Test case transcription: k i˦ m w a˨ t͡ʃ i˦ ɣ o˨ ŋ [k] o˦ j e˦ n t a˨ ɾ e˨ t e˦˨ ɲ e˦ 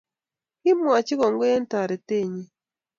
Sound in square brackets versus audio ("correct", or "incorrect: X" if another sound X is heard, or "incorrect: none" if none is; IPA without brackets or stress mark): incorrect: ɡ